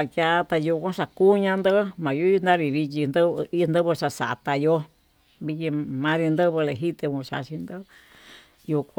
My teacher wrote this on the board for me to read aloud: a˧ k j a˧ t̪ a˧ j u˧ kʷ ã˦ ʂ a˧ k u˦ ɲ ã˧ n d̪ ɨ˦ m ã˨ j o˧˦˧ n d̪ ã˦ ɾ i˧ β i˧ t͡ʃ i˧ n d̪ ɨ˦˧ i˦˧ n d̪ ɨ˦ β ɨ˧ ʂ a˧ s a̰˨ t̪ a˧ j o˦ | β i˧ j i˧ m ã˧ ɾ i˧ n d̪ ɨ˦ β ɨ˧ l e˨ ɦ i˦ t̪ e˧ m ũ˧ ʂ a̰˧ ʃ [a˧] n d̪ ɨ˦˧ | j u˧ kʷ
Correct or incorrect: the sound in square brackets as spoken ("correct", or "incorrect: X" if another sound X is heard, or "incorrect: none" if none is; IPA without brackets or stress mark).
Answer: incorrect: i˧